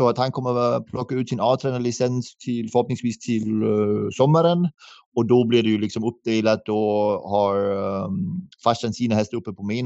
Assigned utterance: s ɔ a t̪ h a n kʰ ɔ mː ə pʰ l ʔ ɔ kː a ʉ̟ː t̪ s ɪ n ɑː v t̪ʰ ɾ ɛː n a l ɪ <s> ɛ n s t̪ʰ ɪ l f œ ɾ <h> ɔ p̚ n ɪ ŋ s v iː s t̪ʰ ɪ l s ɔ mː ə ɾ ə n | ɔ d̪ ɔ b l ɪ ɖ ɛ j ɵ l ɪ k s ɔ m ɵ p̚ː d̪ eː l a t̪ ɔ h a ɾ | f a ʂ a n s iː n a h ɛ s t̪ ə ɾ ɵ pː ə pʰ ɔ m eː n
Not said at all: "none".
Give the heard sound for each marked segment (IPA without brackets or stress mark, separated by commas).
s, h